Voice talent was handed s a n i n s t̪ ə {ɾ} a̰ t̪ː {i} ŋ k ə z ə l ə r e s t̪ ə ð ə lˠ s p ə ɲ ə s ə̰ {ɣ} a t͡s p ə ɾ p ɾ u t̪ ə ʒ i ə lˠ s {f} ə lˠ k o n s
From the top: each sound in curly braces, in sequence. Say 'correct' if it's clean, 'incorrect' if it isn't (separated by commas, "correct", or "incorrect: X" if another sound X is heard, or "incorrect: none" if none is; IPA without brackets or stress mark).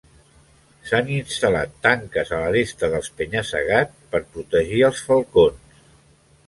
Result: incorrect: l, incorrect: a, correct, correct